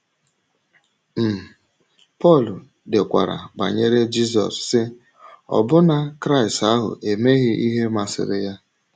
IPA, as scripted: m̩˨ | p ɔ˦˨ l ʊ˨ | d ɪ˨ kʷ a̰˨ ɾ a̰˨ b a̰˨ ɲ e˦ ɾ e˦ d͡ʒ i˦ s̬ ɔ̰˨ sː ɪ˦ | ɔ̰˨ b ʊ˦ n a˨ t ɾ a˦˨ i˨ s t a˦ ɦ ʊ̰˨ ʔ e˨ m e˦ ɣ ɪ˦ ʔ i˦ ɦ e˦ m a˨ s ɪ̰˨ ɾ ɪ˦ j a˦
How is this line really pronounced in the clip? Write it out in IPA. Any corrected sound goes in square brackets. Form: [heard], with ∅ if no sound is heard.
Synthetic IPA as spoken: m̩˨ | p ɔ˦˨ l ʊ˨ | d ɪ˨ kʷ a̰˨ ɾ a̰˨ b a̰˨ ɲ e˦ ɾ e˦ d͡ʒ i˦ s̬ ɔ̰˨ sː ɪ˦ | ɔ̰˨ b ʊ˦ n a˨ [k] ɾ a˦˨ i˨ s t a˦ ɦ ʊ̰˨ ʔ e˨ m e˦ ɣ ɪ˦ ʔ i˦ ɦ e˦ m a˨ s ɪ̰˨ ɾ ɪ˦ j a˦